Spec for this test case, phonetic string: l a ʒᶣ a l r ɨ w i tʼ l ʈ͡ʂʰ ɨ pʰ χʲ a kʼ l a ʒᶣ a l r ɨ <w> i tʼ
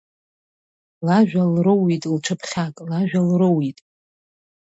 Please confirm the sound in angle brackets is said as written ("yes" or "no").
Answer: yes